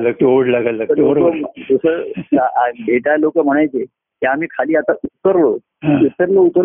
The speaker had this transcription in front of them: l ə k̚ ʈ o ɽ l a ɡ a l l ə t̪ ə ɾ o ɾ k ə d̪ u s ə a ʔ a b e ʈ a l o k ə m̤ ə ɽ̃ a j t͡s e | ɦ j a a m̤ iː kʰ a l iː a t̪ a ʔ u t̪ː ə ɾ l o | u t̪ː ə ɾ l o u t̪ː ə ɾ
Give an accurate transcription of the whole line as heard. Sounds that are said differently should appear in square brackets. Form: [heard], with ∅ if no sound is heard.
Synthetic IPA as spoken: l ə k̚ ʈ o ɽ l a ɡ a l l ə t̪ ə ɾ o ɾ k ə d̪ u s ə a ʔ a b e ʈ a l o k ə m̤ ə ɽ̃ a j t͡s e | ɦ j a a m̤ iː kʰ a l iː a t̪ a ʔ u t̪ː ə ɾ l o | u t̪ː ə ɾ l o u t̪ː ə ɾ